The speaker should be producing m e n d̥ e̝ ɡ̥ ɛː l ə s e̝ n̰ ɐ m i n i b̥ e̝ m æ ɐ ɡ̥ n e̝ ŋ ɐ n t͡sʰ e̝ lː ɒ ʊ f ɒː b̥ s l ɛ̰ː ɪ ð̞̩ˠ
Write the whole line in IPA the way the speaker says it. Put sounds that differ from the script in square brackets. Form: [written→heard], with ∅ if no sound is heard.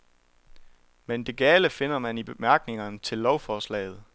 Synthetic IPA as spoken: m e n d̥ e̝ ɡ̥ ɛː l ə [s→f] e̝ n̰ ɐ m [i→æ] n i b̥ e̝ m æ ɐ ɡ̥ n e̝ ŋ ɐ n t͡sʰ e̝ lː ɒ ʊ f ɒː [b̥→∅] s l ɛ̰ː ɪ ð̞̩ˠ